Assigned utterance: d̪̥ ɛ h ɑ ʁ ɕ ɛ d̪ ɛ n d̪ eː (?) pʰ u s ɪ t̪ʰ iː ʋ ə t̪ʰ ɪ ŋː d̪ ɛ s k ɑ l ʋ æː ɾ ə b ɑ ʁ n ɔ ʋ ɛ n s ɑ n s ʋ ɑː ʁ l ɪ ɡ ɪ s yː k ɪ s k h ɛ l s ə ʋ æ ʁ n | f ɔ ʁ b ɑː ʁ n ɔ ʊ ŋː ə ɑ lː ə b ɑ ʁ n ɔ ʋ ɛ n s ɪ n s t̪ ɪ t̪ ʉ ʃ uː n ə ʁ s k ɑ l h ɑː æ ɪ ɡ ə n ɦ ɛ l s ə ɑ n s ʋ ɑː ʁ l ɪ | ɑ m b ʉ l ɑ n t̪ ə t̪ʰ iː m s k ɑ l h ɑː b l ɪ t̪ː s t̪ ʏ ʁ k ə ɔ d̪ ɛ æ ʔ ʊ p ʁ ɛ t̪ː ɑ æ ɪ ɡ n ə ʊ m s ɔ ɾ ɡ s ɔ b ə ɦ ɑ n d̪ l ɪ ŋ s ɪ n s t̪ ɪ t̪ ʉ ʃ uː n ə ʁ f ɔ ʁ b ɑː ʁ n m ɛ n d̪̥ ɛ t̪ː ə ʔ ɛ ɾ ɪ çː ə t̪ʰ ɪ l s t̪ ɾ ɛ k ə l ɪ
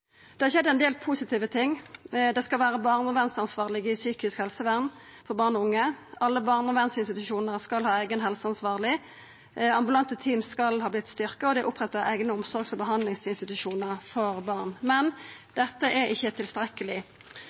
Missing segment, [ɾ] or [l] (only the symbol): l